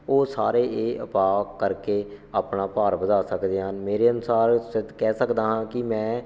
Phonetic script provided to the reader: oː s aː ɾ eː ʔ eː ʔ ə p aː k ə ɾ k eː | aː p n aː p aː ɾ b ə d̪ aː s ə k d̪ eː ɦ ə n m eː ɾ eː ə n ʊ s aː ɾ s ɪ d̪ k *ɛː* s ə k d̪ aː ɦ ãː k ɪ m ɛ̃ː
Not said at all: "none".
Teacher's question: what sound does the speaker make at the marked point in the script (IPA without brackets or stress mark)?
ɛː